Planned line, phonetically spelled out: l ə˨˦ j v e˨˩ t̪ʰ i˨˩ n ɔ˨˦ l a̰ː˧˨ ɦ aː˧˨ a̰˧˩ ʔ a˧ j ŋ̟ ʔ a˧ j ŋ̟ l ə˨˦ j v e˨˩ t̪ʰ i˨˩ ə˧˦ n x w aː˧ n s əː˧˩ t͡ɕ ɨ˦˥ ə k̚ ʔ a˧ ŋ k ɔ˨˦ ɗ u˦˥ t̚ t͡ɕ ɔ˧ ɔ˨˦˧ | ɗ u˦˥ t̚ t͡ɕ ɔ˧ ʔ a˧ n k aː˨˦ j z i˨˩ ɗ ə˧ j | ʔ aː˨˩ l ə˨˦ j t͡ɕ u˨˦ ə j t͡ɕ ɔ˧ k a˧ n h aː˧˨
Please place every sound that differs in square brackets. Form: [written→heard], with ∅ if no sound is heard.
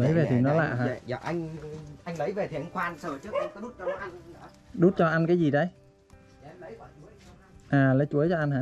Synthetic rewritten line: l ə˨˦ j v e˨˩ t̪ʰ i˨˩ n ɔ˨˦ l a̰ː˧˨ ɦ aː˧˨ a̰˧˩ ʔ a˧ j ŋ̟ ʔ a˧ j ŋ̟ l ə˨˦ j v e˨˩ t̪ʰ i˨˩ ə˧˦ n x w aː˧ n s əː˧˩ t͡ɕ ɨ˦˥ ə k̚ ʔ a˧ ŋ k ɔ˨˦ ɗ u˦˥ t̚ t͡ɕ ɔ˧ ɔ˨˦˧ | ɗ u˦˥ t̚ t͡ɕ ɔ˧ ʔ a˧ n k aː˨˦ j z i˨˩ ɗ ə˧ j | ʔ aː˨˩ l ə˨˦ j t͡ɕ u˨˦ ə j t͡ɕ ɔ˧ [k→ʔ] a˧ n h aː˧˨